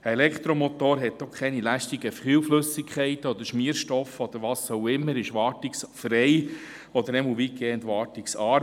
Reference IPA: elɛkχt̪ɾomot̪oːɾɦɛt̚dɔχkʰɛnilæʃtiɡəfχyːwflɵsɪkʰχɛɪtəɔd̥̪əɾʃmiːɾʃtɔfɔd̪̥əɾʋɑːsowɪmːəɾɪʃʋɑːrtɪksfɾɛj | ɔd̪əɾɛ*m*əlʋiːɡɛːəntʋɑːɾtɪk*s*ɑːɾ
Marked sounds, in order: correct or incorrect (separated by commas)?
correct, correct